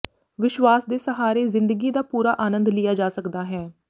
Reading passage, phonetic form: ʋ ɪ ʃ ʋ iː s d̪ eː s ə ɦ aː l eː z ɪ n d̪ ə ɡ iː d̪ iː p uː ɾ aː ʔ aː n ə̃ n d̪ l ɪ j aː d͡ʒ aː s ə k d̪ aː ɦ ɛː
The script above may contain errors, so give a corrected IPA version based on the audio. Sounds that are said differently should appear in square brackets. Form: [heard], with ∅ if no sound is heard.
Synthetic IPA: ʋ ɪ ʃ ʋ [aː] s d̪ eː s ə ɦ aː [ɾ] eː z ɪ n d̪ ə ɡ iː d̪ [aː] p uː ɾ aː ʔ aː n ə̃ n d̪ l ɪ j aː d͡ʒ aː s ə k d̪ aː ɦ ɛː